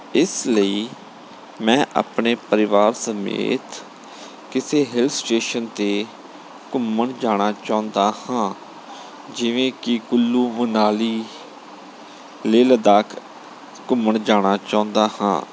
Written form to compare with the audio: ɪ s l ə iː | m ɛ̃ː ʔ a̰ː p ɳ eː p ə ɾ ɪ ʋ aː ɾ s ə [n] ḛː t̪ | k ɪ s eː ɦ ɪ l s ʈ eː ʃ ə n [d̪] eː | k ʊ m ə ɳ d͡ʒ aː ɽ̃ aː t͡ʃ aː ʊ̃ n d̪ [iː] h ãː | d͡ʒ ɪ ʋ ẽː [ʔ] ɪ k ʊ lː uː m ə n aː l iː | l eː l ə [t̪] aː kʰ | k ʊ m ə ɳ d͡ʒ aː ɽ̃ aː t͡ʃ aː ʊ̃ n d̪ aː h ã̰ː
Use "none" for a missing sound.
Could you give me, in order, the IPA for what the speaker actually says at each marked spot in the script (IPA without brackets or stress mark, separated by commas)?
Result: m, t̪, aː, k, d̪